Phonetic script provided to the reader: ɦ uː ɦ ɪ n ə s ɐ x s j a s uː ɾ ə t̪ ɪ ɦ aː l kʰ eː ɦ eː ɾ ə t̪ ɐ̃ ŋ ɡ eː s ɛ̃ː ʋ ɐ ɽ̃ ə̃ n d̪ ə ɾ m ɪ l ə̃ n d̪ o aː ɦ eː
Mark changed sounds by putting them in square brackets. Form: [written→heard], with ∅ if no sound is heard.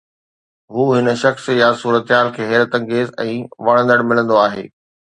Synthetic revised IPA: ɦ uː ɦ ɪ n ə [s→ʃ] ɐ x s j a s uː ɾ ə t̪ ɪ ɦ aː l kʰ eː ɦ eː ɾ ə t̪ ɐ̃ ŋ ɡ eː [s→z] ɛ̃ː ʋ ɐ ɽ̃ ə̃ n d̪ ə [ɾ→ɽ] m ɪ l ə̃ n d̪ o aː ɦ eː